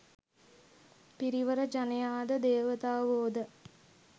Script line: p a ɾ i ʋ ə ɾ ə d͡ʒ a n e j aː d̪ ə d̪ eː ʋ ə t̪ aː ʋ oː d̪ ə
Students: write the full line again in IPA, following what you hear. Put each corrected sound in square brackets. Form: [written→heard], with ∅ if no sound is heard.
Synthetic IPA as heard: p [a→i] ɾ i ʋ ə ɾ ə d͡ʒ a n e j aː d̪ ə d̪ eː ʋ ə t̪ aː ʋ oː d̪ ə